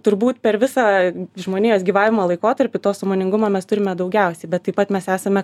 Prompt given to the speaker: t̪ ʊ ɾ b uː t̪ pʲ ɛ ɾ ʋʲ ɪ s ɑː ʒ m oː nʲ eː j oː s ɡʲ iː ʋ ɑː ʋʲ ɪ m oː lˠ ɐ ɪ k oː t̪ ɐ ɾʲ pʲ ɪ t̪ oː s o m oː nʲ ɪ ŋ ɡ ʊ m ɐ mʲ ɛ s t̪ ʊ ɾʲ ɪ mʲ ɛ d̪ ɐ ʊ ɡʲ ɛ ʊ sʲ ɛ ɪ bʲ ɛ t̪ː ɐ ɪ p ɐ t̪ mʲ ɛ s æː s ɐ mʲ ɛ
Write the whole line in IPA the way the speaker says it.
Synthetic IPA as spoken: t̪ ʊ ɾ b uː t̪ pʲ ɛ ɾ ʋʲ ɪ s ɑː ʒ m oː nʲ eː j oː s ɡʲ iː ʋ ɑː ʋʲ ɪ m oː lˠ ɐ ɪ k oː t̪ ɐ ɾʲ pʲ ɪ t̪ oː s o m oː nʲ ɪ ŋ ɡ ʊ m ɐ mʲ ɛ s t̪ ʊ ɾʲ ɪ mʲ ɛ d̪ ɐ ʊ ɡʲ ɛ ʊ sʲ ɛ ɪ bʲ ɛ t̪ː ɐ ɪ p ɐ t̪ mʲ ɛ s æː s ɐ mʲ ɛ